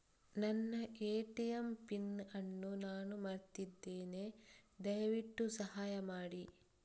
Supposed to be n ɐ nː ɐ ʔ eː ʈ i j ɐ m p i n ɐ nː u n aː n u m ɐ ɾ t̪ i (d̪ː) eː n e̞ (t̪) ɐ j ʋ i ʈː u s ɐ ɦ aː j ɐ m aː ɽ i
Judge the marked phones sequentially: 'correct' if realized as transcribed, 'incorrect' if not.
correct, incorrect: d̪

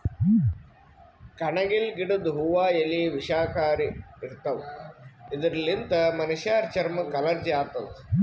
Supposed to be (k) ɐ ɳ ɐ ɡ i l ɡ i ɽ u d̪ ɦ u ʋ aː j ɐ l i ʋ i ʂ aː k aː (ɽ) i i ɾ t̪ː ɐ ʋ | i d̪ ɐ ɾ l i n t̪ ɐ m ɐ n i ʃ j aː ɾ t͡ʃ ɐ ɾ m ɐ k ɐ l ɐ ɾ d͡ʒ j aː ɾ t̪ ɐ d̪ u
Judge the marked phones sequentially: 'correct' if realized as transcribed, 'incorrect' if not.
correct, incorrect: ɾ

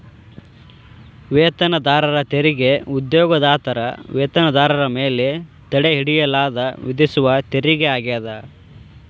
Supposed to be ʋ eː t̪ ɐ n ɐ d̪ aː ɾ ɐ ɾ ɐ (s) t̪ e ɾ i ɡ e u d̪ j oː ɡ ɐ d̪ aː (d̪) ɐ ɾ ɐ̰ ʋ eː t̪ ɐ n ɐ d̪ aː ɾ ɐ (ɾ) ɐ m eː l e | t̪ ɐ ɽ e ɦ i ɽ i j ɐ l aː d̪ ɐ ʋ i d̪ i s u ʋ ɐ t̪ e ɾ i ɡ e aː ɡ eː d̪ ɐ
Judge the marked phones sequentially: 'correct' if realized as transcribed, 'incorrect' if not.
incorrect: none, incorrect: t̪, correct

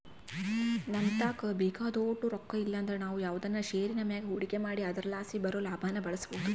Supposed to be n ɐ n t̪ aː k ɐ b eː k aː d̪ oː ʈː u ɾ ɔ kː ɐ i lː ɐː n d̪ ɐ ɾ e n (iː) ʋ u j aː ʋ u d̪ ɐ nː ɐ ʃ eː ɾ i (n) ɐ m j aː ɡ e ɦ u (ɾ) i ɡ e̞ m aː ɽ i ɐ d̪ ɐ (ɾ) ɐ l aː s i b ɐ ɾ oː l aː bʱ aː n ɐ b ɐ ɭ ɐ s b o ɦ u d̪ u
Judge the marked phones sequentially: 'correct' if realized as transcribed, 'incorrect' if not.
incorrect: aː, correct, incorrect: ɽ, correct

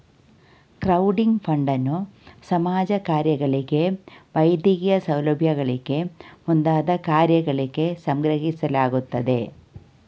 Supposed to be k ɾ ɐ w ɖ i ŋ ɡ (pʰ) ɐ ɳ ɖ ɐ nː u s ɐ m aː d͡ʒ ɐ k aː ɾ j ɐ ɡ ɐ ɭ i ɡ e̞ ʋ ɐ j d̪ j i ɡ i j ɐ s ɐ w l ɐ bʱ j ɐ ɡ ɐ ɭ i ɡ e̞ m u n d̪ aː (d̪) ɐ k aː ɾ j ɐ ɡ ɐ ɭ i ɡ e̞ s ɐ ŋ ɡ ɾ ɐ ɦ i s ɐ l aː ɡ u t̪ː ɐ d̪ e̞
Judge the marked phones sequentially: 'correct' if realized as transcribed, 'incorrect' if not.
correct, correct

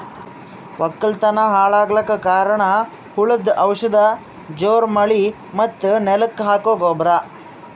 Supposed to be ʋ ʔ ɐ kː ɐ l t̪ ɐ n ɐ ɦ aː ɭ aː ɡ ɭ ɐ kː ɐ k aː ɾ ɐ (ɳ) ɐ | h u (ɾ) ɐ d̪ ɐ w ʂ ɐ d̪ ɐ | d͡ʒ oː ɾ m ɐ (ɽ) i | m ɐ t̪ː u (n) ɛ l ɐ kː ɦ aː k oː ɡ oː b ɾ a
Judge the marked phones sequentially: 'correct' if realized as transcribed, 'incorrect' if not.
correct, incorrect: ɭ, incorrect: ɭ, correct

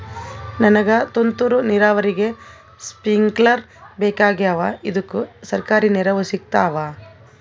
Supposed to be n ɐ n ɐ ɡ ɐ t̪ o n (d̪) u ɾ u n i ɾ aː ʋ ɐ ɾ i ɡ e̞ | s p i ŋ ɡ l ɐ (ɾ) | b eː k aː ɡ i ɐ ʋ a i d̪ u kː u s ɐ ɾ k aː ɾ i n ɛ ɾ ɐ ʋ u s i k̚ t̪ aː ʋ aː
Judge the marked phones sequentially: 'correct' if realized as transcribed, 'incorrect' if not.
incorrect: t̪, correct

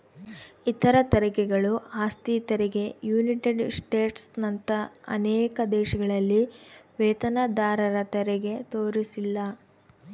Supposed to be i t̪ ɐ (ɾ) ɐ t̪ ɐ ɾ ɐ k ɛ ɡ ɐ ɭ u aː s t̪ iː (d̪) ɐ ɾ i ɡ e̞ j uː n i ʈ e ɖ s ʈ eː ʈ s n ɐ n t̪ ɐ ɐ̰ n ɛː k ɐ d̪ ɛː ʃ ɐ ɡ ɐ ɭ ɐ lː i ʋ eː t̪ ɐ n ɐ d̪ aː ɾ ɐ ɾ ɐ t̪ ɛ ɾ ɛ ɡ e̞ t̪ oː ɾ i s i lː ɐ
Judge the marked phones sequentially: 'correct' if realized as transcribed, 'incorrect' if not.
correct, incorrect: t̪

